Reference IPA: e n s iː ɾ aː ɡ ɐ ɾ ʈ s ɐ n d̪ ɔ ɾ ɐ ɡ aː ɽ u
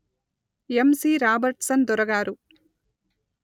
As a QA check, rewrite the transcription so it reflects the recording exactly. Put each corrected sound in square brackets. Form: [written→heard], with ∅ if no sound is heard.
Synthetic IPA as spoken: e [n→m] s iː ɾ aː [ɡ→b] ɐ ɾ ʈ s ɐ n d̪ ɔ ɾ ɐ ɡ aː [ɽ→ɾ] u